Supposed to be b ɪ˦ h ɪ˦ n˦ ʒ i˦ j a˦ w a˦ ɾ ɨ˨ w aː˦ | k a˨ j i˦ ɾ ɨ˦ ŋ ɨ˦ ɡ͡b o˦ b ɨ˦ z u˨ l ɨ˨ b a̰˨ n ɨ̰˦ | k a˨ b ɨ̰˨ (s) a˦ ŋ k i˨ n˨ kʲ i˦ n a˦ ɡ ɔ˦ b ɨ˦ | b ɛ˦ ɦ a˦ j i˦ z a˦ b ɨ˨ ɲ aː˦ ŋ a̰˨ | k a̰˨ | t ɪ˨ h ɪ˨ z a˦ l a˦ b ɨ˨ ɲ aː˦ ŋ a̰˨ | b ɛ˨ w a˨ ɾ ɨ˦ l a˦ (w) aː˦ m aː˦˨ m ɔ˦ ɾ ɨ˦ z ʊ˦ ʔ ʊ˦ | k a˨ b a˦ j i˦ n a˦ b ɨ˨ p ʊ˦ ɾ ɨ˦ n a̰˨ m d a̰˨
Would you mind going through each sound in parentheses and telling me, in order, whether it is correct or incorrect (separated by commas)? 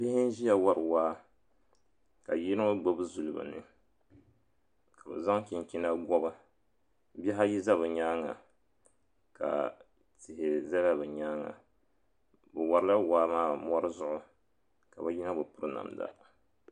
incorrect, correct